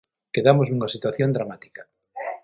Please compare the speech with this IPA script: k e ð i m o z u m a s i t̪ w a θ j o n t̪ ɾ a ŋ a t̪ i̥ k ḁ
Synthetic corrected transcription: k e ð a m o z u ŋ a s i t̪ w a θ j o n d̪ ɾ a m a t̪ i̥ k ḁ